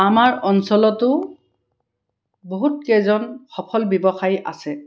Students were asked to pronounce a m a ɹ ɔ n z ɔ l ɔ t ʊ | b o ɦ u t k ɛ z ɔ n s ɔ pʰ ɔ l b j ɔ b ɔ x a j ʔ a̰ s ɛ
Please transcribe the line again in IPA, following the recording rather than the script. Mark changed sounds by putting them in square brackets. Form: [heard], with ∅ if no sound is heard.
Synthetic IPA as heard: a m a ɹ ɔ n [s] ɔ l ɔ t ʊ | b o ɦ u t k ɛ z ɔ n [x] ɔ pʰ ɔ l b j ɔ b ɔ x a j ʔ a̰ s ɛ